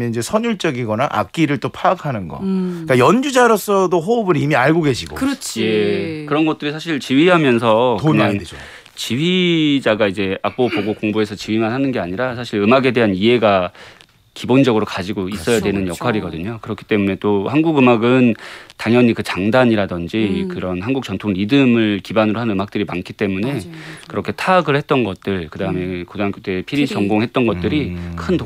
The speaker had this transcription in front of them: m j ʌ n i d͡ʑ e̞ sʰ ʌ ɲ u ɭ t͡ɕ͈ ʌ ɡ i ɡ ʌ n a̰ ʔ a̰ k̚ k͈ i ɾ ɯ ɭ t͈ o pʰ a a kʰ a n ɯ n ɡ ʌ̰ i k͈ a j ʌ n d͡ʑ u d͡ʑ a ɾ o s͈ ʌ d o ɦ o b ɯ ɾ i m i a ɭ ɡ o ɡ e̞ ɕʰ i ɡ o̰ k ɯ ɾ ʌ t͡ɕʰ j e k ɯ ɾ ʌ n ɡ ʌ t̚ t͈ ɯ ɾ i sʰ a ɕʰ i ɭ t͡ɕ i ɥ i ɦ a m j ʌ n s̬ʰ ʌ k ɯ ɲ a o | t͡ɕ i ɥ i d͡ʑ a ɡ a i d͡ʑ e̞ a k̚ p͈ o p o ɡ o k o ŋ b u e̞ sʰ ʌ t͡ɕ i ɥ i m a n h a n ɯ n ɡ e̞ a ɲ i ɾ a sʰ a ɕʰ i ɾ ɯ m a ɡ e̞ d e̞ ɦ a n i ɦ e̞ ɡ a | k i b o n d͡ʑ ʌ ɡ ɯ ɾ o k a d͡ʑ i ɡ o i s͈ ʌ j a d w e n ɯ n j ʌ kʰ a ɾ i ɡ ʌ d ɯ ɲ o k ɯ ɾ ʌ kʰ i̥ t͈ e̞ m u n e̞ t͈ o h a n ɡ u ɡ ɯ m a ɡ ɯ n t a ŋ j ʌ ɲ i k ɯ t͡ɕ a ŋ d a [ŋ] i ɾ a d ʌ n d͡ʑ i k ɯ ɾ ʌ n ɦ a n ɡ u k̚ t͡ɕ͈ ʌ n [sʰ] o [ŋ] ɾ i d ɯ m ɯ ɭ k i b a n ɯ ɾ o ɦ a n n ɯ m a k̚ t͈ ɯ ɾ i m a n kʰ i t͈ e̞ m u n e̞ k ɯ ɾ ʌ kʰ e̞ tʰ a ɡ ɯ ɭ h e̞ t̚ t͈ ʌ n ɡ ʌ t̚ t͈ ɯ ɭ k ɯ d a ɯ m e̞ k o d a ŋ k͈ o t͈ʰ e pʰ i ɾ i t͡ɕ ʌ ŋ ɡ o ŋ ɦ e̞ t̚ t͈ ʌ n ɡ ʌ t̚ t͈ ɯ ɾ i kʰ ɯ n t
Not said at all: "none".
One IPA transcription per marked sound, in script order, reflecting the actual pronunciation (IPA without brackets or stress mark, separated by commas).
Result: ɲ, tʰ, ŋ